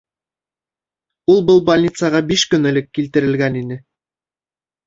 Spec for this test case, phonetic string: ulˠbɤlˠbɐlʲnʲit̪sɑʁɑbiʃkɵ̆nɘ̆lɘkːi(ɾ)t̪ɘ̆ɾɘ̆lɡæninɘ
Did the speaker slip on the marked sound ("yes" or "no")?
yes